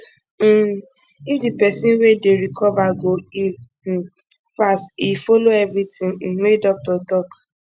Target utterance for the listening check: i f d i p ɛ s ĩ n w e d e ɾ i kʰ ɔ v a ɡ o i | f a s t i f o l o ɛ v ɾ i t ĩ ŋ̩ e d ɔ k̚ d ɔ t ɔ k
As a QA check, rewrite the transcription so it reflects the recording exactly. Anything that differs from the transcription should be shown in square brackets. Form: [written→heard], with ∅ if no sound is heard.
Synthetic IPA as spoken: i f d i p ɛ s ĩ n w e d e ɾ i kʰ ɔ v a ɡ o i | f a s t i f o l o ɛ v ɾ i t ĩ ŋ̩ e d ɔ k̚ [d→t] ɔ t ɔ k